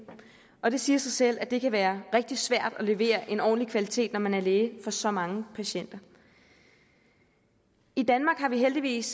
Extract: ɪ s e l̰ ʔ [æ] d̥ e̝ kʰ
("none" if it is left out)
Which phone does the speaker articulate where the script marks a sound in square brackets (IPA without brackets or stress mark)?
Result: æ